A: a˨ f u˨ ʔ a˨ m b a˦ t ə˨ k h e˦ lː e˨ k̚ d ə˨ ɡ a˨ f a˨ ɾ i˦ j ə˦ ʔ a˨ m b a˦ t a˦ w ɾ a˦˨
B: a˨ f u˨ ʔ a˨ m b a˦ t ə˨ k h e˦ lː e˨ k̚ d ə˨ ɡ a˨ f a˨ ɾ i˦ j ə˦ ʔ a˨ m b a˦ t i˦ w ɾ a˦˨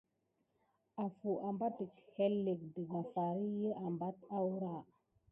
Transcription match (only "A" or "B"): A